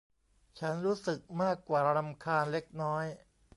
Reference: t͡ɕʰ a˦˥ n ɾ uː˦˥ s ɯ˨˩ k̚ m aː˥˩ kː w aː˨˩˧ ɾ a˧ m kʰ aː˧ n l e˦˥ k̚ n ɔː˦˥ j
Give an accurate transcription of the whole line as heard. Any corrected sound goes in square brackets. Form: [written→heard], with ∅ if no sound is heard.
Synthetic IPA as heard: t͡ɕʰ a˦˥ n ɾ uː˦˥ s ɯ˨˩ k̚ m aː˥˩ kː w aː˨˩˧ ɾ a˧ m kʰ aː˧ n l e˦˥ k̚ n ɔː˦˥ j